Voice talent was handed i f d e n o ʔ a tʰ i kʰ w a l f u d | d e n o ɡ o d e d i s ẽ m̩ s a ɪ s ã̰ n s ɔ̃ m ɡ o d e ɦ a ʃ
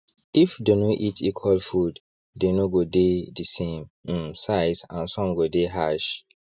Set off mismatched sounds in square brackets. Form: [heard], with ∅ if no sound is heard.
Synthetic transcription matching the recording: i f d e n o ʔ [i] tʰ i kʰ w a l f u d | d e n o ɡ o d e d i s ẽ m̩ s a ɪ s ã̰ n s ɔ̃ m ɡ o d e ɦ a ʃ

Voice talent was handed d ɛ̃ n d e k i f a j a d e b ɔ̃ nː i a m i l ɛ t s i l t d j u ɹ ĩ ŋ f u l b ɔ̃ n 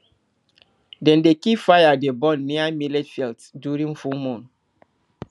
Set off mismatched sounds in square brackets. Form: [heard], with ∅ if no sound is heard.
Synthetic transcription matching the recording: d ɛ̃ n d e k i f a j a d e b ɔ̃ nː i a m i l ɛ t [f] i l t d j u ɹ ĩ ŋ f u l [m] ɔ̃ n

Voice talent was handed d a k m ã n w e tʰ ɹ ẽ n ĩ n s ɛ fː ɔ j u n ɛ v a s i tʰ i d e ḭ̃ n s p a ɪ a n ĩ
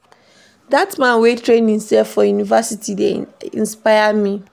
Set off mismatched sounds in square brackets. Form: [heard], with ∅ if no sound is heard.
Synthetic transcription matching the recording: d a [t] m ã n w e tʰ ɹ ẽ n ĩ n s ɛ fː ɔ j u n [i] v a s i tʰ i d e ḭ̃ n s p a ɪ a [m] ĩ

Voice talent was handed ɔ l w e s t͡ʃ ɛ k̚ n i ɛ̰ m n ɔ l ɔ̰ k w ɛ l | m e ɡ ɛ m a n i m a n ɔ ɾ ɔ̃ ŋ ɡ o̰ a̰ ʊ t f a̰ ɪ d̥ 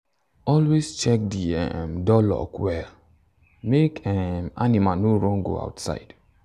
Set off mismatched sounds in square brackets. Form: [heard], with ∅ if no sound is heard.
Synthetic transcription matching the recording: ɔ l w e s t͡ʃ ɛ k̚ [d] i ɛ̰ m [d] ɔ l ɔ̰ k w ɛ l | m e [k] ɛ m a n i m a n [o] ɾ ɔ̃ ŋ ɡ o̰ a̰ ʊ t [s] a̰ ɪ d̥

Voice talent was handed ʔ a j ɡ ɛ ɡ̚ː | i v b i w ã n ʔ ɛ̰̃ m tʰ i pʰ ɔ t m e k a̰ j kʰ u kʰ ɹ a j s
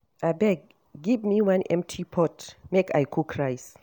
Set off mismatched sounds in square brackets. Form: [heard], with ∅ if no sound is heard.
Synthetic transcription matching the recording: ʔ a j [b] ɛ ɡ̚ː | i v [m] i w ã n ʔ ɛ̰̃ m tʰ i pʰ ɔ t m e k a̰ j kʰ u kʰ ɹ a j s

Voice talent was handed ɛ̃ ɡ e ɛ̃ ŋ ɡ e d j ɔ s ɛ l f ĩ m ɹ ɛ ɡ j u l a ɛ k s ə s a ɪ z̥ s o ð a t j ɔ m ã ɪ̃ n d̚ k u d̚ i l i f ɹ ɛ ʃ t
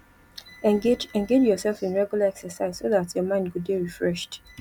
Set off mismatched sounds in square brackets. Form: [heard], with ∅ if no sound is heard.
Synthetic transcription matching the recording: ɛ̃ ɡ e ɛ̃ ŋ ɡ e [d͡ʒ] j ɔ s ɛ l f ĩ [n] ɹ ɛ ɡ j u l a ɛ k s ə s a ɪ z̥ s o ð a t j ɔ m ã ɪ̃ n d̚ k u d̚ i [ɹ] i f ɹ ɛ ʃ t

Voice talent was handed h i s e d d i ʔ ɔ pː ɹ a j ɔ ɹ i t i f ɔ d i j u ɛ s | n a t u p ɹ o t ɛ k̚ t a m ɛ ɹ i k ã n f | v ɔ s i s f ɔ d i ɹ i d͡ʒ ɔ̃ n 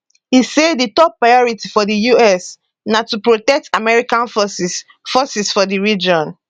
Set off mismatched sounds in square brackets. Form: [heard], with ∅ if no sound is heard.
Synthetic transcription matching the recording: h i s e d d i [t] ɔ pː ɹ a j ɔ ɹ i t i f ɔ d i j u ɛ s | n a t u p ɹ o t ɛ k̚ t a m ɛ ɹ i k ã n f | [f] ɔ s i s f ɔ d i ɹ i d͡ʒ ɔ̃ n

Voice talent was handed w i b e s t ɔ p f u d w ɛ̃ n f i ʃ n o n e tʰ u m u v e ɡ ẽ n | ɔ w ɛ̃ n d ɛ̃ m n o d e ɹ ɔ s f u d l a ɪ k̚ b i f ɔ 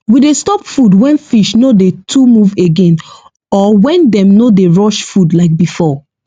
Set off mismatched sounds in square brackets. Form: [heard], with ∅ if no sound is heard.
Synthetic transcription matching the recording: w i [d] e s t ɔ p f u d w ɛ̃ n f i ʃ n o [d] e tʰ u m u v e ɡ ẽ n | ɔ w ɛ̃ n d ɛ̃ m n o d e ɹ ɔ [ʃ] f u d l a ɪ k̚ b i f ɔ

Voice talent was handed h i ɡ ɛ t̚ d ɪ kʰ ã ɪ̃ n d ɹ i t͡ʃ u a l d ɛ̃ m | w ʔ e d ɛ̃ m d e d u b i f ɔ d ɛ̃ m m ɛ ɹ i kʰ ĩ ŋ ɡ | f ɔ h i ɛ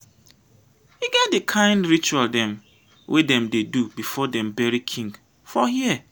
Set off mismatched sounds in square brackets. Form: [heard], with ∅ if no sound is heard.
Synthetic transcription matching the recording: h i ɡ ɛ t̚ d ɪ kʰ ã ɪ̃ n d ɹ i t͡ʃ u a l d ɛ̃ m | w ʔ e d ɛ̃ m d e d u b i f ɔ d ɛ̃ m [b] ɛ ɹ i kʰ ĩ ŋ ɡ | f ɔ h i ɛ

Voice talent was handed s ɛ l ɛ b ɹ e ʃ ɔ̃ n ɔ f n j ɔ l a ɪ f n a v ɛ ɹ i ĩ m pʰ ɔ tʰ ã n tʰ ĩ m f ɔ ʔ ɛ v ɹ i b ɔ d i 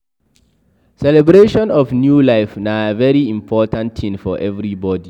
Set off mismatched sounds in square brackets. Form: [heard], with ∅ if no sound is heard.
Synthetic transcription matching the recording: s ɛ l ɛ b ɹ e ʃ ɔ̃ n ɔ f n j [u] l a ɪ f n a v ɛ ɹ i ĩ m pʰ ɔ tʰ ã n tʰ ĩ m f ɔ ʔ ɛ v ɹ i b ɔ d i

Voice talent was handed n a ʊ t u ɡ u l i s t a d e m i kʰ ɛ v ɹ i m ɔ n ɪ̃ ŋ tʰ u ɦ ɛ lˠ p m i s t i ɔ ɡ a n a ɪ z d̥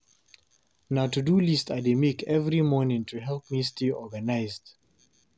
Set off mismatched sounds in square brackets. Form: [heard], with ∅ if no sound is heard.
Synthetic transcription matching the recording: n a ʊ t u [d] u l i s t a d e m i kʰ ɛ v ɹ i m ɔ n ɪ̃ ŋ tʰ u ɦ ɛ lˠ p m i s t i ɔ ɡ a n a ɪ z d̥

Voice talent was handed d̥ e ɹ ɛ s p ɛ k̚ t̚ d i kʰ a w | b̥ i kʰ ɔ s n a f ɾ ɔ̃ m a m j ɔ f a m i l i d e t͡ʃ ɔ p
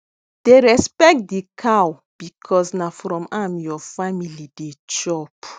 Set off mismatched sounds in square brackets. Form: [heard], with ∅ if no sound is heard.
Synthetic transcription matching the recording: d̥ e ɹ ɛ s p ɛ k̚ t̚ d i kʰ a w | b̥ i kʰ ɔ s n a f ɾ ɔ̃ m a m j ɔ f a m i l i d e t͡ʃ ɔ p

